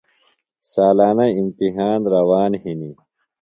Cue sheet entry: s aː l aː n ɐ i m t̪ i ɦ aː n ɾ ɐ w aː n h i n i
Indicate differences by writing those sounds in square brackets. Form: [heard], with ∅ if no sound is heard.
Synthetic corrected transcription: s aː l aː n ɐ i m t̪ i ɦ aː n ɾ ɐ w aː n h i n i

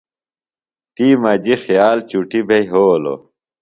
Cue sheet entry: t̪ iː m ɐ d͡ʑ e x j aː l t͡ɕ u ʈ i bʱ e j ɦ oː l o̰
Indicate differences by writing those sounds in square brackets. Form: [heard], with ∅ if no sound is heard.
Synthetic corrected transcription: t̪ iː m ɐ d͡ʑ [i] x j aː l t͡ɕ u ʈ i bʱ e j ɦ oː l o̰

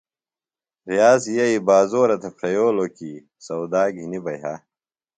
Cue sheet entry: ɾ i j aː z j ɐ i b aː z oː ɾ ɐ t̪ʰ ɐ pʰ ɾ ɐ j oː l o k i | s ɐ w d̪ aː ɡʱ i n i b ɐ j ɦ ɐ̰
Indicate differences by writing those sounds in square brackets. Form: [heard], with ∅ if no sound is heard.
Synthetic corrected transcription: ɾ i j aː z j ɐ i b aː z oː ɾ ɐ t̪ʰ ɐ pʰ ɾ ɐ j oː l o k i | s ɐ w d̪ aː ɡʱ i n i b ɐ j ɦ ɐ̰

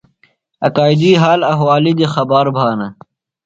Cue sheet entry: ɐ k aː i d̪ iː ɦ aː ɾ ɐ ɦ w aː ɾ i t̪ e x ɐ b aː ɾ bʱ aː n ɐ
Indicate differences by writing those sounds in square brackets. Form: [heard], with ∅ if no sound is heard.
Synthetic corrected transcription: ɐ k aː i d̪ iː ɦ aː [l] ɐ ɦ w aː [l] i [d̪] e x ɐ b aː ɾ bʱ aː n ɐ

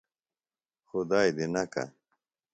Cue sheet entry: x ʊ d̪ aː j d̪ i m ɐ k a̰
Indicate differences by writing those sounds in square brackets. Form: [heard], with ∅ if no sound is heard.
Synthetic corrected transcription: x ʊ d̪ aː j d̪ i [n] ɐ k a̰

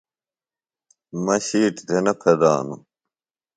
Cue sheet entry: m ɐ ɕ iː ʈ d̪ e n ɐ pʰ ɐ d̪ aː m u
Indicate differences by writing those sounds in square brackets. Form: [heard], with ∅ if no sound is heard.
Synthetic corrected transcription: m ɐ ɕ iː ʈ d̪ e n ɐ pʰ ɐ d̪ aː [n] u

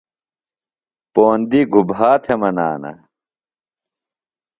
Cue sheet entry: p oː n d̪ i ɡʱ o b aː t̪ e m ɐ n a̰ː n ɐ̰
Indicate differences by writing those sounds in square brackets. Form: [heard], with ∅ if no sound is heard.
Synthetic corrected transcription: p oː n d̪ i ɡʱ [u] b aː [t̪ʰ] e m ɐ n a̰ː n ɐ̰

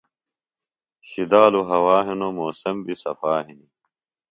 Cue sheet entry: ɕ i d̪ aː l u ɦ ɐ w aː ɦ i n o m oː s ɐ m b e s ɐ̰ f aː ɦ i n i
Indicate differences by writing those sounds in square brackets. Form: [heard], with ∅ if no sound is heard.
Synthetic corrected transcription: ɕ i d̪ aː l u ɦ ɐ w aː ɦ i n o m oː s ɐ m b [i] s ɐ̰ f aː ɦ i n i

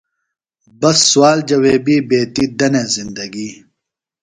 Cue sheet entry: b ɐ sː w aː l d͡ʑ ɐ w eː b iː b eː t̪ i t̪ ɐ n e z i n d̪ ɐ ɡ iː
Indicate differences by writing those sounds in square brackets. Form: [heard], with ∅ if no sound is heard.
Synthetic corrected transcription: b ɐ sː w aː l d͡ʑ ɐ w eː b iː b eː t̪ i [d̪] ɐ n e z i n d̪ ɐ ɡ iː

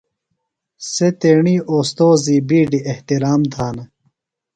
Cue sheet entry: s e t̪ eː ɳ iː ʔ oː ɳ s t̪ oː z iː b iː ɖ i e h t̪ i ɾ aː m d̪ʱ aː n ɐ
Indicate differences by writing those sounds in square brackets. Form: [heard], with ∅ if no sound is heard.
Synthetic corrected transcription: s e t̪ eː ɳ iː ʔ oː [∅] s t̪ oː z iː b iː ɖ i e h t̪ i ɾ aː m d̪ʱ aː n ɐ

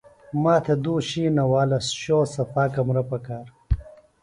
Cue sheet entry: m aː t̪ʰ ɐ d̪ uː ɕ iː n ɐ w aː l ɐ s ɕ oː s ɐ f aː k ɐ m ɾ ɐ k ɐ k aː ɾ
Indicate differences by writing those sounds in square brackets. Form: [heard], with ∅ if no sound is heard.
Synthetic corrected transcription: m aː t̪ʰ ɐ d̪ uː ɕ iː n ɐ w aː l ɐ s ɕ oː s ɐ f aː k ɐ m ɾ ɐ [p] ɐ k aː ɾ

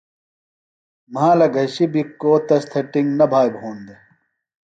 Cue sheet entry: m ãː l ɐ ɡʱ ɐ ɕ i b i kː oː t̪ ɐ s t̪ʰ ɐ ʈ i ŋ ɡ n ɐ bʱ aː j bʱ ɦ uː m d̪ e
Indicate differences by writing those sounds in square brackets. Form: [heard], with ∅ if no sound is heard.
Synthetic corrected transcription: m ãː l ɐ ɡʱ ɐ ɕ i b i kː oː t̪ ɐ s t̪ʰ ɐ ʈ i ŋ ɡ n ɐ bʱ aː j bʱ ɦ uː [n] d̪ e

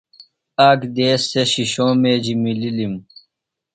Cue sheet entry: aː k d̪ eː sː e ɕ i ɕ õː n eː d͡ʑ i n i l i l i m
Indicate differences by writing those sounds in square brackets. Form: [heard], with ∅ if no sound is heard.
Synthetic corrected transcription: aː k d̪ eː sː e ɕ i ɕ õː [m] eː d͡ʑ i [m] i l i l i m

